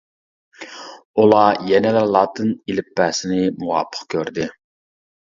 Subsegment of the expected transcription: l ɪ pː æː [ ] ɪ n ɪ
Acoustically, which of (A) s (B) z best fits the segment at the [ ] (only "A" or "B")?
A